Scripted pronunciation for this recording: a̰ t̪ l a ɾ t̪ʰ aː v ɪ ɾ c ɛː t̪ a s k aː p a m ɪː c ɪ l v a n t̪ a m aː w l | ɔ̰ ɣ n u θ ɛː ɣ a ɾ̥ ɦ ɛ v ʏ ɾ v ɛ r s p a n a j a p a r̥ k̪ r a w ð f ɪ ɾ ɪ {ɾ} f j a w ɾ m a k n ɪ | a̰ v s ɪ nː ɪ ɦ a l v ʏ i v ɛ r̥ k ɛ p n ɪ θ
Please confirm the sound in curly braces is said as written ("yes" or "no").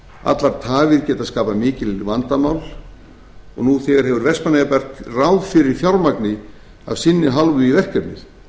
yes